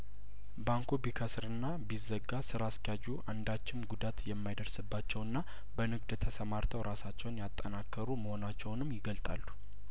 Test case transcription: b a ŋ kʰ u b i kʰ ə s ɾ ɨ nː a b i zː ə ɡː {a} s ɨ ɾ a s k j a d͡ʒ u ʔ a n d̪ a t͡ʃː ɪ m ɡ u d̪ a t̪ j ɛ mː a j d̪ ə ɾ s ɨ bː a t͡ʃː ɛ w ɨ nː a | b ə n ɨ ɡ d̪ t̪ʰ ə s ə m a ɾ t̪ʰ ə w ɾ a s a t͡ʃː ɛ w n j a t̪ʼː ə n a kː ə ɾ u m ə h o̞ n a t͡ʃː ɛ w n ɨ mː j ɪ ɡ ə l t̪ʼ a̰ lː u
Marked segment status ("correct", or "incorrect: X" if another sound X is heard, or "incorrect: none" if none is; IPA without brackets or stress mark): correct